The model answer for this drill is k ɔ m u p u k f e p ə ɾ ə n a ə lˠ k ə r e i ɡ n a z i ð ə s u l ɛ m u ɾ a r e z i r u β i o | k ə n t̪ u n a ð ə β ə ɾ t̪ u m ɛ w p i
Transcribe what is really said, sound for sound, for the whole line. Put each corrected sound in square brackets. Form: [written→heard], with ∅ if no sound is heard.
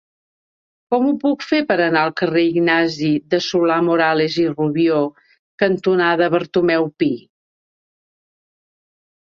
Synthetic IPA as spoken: k ɔ m u p u k f e p ə ɾ ə n a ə lˠ k ə r e i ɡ n a z i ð ə s u l [ɛ→a] m u ɾ a [r→l] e z i r u β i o | k ə n t̪ u n a ð ə β ə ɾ t̪ u m ɛ w p i